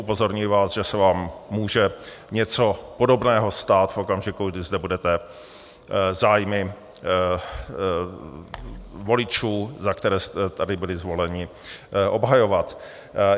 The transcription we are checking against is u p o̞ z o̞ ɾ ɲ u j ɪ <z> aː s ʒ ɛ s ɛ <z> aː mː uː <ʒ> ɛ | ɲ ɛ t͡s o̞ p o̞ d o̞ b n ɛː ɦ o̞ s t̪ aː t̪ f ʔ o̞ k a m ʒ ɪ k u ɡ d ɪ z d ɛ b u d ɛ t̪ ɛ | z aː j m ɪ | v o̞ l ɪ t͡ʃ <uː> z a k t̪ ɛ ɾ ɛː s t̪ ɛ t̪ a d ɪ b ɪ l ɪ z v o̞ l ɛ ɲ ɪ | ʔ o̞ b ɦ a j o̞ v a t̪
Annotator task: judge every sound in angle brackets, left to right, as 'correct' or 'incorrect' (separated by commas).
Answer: incorrect, incorrect, correct, correct